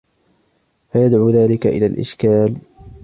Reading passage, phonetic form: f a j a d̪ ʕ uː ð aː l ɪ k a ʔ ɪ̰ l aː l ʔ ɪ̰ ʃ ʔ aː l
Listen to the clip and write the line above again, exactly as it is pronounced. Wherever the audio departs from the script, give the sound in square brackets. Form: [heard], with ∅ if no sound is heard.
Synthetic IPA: f a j a d̪ ʕ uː ð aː l ɪ k a ʔ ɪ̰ l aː l ʔ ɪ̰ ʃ [k] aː l